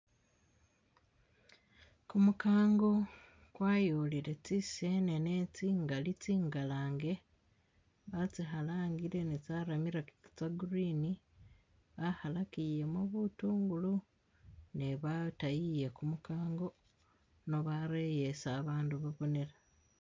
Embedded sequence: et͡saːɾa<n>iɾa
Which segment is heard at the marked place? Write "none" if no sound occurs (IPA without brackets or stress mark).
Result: m